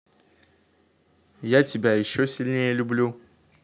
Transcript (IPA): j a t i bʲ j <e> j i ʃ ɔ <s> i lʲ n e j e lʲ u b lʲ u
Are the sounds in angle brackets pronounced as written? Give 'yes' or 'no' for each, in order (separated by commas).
no, yes